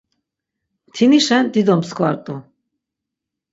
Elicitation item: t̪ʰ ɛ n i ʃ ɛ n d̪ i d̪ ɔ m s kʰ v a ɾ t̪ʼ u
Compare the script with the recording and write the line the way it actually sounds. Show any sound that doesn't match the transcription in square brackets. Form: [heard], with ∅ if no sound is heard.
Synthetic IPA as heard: t̪ʰ [i] n i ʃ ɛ n d̪ i d̪ ɔ m s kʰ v a ɾ t̪ʼ u